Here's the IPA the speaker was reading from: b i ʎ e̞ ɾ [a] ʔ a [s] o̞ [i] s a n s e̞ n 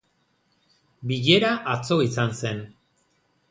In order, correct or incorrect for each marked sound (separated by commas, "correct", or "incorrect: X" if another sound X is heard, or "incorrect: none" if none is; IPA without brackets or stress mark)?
correct, incorrect: t͡s, correct